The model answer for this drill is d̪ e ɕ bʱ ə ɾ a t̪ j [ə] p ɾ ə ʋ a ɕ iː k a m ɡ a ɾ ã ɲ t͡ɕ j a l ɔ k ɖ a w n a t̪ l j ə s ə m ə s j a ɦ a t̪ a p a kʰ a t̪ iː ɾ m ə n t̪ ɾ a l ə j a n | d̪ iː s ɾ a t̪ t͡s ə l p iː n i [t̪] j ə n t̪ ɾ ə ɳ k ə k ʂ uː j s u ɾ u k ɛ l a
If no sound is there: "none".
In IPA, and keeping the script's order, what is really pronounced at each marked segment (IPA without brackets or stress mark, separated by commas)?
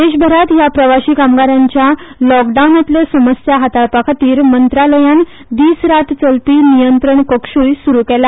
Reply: a, none